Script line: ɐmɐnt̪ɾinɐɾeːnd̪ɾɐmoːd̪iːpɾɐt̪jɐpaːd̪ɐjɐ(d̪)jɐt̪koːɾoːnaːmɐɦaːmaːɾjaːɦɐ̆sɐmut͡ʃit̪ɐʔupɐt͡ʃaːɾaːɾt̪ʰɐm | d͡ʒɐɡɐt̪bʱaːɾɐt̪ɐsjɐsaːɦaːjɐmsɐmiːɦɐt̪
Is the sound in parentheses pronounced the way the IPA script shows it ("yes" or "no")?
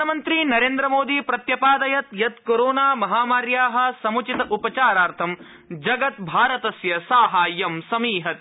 no